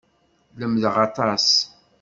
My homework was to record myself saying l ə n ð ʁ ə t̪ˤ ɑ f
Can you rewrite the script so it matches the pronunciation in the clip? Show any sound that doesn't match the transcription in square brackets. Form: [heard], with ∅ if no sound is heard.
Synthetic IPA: l ə [m] ð ʁ [ɑ] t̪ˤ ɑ [s]